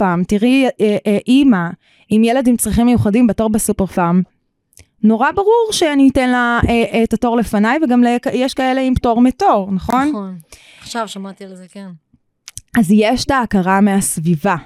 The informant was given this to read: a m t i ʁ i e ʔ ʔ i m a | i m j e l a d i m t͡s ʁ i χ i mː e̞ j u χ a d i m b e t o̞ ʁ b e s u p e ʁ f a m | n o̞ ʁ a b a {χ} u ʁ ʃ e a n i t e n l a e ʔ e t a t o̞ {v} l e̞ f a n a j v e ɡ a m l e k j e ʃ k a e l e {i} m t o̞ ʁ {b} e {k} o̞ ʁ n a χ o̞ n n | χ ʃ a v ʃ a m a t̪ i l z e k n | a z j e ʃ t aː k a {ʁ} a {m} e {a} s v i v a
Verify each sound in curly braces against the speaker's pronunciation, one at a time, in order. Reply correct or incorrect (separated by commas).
incorrect, incorrect, correct, incorrect, incorrect, correct, correct, correct